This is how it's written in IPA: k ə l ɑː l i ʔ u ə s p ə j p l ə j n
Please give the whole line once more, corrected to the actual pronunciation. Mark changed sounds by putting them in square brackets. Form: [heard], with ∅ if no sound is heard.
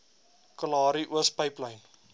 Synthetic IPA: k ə l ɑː [ɾ] i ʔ u ə s p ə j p l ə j n